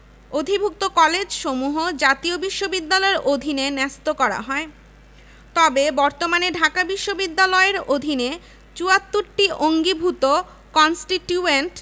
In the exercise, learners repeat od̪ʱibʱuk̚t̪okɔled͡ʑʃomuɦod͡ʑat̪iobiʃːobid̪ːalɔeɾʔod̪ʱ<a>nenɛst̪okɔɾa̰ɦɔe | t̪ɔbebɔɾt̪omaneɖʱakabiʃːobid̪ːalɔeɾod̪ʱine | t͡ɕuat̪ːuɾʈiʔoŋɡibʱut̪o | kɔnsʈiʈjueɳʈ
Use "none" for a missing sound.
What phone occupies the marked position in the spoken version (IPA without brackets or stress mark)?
i